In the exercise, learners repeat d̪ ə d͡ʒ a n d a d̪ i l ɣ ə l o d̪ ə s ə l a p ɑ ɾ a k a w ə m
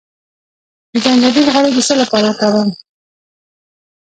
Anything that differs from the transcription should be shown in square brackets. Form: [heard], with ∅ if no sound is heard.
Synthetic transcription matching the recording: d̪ ə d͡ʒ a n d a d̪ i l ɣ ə [ɽ] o d̪ ə s ə l a p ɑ ɾ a k a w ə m